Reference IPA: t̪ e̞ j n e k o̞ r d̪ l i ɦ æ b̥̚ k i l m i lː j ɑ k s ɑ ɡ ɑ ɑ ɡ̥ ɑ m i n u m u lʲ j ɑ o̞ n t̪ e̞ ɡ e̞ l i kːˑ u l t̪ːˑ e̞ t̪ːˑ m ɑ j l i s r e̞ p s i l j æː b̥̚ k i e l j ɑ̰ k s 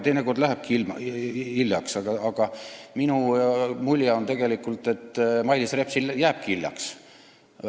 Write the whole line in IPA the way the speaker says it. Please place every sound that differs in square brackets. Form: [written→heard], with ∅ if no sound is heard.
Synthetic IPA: t̪ e̞ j n e k o̞ r d̪ l [i→æ] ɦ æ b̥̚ k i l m i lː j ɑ k s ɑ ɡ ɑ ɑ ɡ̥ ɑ m i n u m u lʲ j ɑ o̞ n t̪ e̞ ɡ e̞ l i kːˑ u l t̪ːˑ e̞ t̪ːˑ m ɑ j l i s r e̞ p s i l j æː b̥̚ k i [e→i] l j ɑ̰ k s

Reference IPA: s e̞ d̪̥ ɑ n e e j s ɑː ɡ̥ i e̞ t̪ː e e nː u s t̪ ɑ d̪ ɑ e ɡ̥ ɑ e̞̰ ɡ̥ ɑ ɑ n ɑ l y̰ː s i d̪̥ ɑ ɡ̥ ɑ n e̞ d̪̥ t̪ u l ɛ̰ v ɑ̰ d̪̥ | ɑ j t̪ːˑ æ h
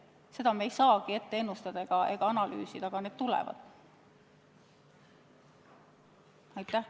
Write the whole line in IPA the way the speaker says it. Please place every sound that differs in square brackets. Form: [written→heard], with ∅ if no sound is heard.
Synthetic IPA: s e̞ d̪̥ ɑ [n→m] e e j s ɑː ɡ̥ i e̞ t̪ː e e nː u s t̪ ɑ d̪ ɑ e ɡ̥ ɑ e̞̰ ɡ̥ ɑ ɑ n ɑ l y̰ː s i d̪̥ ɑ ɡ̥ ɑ n e̞ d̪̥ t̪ u l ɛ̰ v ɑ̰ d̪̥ | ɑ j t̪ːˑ æ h

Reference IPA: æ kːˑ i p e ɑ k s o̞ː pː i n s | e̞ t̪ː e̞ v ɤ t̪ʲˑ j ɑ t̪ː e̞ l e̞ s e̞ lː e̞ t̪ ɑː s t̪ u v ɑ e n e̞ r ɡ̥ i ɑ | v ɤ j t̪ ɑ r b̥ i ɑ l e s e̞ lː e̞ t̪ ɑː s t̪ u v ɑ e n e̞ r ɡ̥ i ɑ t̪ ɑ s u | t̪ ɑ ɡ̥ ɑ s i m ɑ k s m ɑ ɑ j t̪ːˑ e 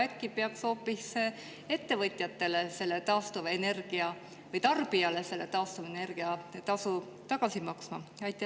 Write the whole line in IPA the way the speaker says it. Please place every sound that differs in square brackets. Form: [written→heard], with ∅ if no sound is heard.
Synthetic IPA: æ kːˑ i p e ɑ k s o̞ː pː i [n→∅] s | e̞ t̪ː e̞ v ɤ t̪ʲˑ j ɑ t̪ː e̞ l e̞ s e̞ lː e̞ t̪ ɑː s t̪ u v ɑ e n e̞ r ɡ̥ i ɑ | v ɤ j t̪ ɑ r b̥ i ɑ l e s e̞ lː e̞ t̪ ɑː s t̪ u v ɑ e n e̞ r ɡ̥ i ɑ t̪ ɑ s u | t̪ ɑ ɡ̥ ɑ s i m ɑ k s m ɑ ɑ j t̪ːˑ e

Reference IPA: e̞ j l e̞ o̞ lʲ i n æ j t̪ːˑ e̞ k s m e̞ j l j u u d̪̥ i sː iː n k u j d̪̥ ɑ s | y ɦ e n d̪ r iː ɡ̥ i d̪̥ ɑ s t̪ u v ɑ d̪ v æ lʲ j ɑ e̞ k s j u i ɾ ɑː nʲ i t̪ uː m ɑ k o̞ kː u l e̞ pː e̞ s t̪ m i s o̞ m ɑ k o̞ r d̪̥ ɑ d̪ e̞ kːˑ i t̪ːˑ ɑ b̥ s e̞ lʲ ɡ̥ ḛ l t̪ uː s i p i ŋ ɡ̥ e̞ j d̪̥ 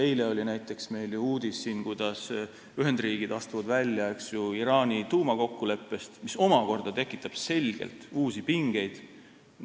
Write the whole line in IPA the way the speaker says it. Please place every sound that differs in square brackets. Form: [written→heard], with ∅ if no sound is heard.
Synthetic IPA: e̞ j l e̞ o̞ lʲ i n æ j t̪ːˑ e̞ k s m e̞ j l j u [u→uː] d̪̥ i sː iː n k u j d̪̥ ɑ s | y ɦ e n d̪ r iː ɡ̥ i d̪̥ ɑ s t̪ u v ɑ d̪ v æ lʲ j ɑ e̞ k s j u i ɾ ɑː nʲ i t̪ uː m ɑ k o̞ kː u l e̞ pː e̞ s t̪ m i s o̞ m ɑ k o̞ r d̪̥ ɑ [d̪→t̪] e̞ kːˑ i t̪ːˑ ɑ b̥ s e̞ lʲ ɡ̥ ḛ l t̪ uː s i p i ŋ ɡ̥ e̞ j d̪̥

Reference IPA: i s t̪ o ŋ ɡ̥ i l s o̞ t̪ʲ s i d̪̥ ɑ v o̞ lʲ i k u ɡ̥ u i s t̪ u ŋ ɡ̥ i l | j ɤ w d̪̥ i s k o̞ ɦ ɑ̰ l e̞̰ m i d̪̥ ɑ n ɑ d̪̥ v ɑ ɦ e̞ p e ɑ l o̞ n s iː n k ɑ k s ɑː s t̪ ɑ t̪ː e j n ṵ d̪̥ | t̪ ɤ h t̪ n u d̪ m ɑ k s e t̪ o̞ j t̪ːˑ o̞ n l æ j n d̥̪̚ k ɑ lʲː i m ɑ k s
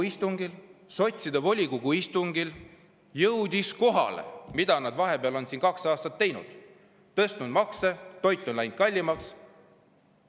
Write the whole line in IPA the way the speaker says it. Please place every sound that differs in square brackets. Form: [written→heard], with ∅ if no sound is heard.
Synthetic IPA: i s t̪ [o→u] ŋ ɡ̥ i l s o̞ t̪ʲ s i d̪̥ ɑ v o̞ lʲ i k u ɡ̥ u i s t̪ u ŋ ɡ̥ i l | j ɤ w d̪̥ i s k o̞ ɦ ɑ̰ l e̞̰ m i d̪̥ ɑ n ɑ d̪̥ v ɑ ɦ e̞ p e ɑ l o̞ n s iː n k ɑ k s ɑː s t̪ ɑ t̪ː e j n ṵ d̪̥ | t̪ ɤ [h→s] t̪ n u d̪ m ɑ k s e t̪ o̞ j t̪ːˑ o̞ n l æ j n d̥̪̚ k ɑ lʲː i m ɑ k s

